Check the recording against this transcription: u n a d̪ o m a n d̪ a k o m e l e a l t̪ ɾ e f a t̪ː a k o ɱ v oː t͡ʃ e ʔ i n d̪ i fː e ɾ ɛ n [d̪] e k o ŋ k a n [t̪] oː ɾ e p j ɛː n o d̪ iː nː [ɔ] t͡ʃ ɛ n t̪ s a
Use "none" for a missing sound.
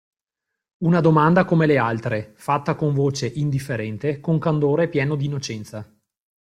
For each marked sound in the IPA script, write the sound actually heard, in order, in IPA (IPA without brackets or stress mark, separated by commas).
t̪, d̪, o